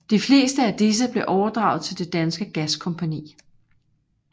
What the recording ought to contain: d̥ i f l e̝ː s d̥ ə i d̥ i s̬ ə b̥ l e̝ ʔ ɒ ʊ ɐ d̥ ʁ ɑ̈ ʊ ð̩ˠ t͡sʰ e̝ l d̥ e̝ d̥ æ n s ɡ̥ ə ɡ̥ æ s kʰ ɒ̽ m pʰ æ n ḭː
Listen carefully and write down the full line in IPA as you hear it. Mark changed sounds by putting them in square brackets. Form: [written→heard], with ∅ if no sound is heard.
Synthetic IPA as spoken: d̥ i f l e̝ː s d̥ ə [i→æ] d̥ i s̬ ə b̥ l e̝ ʔ ɒ ʊ ɐ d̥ ʁ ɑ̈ ʊ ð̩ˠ t͡sʰ e̝ l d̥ e̝ d̥ æ n s ɡ̥ ə ɡ̥ æ s kʰ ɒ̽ m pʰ æ n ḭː